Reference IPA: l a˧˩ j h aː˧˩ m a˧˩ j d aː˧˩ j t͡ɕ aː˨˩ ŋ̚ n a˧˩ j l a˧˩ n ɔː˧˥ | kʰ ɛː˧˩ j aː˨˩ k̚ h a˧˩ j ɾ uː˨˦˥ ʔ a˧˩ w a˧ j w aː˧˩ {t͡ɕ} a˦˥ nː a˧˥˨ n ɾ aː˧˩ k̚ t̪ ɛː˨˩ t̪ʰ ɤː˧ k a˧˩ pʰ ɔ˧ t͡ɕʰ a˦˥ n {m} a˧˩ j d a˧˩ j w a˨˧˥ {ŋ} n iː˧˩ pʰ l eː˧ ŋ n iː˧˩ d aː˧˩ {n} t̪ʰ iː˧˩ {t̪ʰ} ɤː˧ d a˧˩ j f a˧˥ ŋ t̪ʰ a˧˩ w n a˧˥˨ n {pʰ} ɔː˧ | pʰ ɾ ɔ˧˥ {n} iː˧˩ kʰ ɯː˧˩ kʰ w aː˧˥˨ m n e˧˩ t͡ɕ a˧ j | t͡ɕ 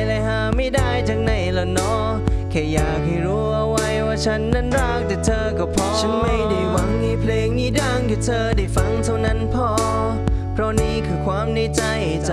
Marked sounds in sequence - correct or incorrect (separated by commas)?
incorrect, correct, correct, incorrect, correct, correct, correct